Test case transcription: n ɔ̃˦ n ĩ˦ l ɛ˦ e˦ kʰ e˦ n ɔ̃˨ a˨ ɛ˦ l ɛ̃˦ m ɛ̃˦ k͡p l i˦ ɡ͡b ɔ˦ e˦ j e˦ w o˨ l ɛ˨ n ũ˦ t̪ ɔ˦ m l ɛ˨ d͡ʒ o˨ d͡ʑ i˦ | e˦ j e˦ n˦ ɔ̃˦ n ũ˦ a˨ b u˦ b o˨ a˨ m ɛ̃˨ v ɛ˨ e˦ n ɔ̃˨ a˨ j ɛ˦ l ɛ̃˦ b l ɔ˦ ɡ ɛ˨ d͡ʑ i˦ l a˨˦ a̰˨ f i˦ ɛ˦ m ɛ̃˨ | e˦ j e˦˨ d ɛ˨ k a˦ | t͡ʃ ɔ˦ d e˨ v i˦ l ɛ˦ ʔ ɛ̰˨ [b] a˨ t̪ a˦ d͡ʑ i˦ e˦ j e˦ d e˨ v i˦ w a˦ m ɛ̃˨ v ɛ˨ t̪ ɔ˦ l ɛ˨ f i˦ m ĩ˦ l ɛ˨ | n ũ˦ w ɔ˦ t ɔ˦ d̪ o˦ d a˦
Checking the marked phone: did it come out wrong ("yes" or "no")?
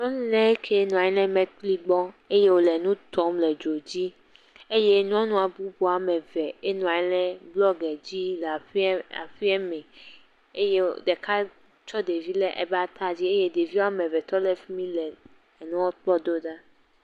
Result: no